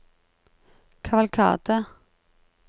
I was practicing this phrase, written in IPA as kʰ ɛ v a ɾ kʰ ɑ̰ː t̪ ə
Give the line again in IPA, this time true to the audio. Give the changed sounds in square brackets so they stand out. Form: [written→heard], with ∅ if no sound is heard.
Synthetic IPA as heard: kʰ [ɛ→a] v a [ɾ→l] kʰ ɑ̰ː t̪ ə